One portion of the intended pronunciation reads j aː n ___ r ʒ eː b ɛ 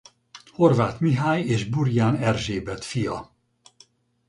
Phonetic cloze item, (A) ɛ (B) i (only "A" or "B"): A